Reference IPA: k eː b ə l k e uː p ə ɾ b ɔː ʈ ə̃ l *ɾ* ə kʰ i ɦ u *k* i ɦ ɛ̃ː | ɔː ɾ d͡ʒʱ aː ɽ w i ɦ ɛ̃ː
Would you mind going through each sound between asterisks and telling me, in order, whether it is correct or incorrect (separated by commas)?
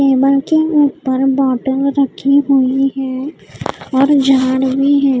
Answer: correct, incorrect